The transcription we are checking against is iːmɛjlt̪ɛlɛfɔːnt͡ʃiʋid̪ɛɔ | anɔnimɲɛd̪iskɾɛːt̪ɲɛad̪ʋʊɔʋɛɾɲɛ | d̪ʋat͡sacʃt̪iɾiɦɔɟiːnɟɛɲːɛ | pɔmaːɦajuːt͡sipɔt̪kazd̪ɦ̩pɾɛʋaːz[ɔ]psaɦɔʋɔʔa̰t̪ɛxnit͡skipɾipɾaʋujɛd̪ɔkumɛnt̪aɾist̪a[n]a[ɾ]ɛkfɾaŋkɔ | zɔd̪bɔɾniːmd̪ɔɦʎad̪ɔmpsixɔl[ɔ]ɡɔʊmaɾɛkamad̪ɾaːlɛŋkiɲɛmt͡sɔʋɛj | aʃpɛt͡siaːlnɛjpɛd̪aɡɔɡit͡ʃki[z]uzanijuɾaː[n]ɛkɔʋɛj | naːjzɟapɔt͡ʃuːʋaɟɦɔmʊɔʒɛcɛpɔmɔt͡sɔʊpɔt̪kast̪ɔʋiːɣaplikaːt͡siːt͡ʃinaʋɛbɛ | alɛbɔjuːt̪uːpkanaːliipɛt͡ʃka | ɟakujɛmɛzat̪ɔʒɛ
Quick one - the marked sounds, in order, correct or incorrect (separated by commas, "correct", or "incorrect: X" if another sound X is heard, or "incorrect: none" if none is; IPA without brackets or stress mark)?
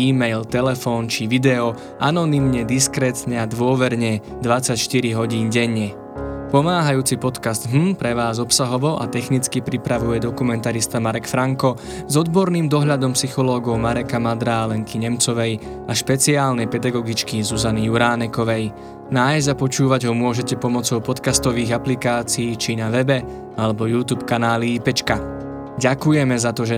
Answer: correct, incorrect: m, correct, incorrect: ɔː, correct, correct